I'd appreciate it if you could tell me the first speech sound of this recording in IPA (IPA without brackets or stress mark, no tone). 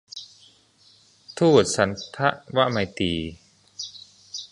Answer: t̪ʰ